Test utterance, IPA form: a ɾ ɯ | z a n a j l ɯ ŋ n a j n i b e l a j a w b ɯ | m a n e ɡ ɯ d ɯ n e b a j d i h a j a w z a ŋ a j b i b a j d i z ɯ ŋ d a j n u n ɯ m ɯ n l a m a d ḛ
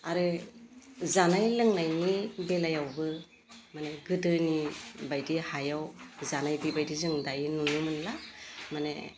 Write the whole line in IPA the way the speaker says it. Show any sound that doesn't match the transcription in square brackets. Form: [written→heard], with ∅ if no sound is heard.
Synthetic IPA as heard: a ɾ ɯ | z a n a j l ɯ ŋ n a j n i b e l a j a w b ɯ | m a n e ɡ ɯ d ɯ n [e→i] b a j d i h a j a w z a [ŋ→n] a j b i b a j d i z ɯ ŋ d a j n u n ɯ m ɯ n l a m a [d→n] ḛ